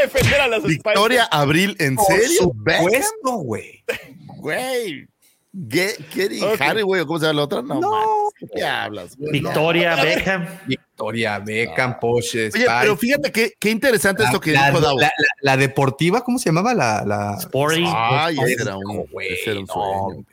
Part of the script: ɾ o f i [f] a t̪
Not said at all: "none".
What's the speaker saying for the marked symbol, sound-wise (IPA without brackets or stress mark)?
x